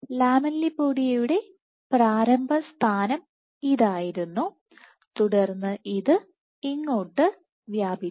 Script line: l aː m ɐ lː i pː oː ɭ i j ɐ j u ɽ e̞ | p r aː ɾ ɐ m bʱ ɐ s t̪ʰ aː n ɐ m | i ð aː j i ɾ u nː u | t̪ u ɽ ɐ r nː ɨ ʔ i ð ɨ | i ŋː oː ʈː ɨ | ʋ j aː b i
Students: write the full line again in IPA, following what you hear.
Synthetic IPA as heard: l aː m ɐ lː i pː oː ɽ i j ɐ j u ɽ e̞ | p r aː ɾ ɐ m bʱ ɐ s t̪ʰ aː n ɐ m | i ð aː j i ɾ u nː u | t̪ u ɽ ɐ r nː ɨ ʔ i ð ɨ | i ŋː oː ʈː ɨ | ʋ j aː b i